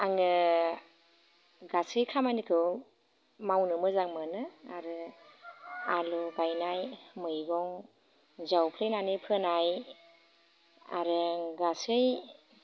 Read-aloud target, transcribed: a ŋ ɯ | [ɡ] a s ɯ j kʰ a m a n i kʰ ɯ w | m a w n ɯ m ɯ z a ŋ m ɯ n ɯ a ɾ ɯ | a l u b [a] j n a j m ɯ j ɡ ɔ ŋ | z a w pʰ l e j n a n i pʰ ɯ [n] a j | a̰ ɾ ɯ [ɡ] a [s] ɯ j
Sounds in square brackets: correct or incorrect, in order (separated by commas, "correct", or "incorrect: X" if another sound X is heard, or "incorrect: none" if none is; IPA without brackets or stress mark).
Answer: correct, correct, correct, correct, correct